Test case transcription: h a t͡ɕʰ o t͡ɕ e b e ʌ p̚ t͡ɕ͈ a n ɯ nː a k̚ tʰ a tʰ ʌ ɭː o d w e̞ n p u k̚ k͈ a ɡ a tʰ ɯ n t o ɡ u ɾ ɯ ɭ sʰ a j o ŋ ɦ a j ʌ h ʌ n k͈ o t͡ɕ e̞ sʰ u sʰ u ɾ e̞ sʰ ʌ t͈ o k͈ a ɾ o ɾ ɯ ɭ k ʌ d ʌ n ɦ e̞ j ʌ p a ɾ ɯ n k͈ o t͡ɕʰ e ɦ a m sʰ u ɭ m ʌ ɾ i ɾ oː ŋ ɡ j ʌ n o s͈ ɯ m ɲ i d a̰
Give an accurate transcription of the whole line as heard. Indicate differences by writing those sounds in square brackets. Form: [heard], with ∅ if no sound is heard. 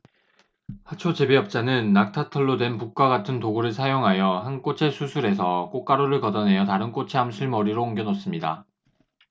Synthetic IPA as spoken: h a t͡ɕʰ o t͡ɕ e b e ʌ p̚ t͡ɕ͈ a n ɯ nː a k̚ tʰ a tʰ ʌ ɭː o d w e̞ n p u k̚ k͈ a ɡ a tʰ ɯ n t o ɡ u ɾ ɯ ɭ sʰ a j o ŋ ɦ a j ʌ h [a] n k͈ o [t͡ɕʰ] e̞ sʰ u sʰ u ɾ e̞ sʰ ʌ [k͈] o k͈ a ɾ o ɾ ɯ ɭ k ʌ d ʌ n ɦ e̞ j ʌ [t] a ɾ ɯ n k͈ o t͡ɕʰ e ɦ a m sʰ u ɭ m ʌ ɾ i ɾ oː ŋ ɡ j ʌ n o s͈ ɯ m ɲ i d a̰